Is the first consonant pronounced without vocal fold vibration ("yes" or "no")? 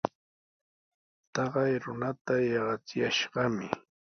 yes